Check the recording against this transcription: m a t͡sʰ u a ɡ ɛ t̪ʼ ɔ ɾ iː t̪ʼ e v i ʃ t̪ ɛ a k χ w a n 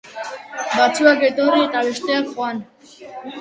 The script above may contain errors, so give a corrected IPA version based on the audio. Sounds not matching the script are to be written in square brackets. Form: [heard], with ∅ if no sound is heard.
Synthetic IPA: [b] a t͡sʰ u a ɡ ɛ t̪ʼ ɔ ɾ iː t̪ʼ [a] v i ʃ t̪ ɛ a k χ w a n